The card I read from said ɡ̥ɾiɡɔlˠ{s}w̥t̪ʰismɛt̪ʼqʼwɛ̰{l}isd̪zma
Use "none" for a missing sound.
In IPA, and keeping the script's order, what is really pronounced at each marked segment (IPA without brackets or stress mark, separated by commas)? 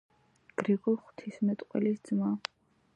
χ, l